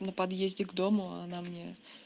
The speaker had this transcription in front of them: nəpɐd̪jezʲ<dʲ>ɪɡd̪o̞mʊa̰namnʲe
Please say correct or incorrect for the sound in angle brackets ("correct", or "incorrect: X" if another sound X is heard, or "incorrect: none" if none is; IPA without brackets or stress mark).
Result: correct